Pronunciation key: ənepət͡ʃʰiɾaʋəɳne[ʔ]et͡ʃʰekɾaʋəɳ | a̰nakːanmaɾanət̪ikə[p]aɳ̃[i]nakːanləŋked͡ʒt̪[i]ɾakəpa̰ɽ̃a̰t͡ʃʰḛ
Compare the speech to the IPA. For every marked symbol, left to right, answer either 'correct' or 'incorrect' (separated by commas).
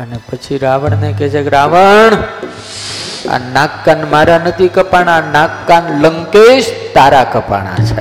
incorrect, correct, incorrect, incorrect